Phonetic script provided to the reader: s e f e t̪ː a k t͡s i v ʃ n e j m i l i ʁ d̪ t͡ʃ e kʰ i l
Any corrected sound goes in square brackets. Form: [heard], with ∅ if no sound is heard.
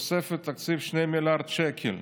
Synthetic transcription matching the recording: s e f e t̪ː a k t͡s i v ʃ n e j m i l [a] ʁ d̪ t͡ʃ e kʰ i l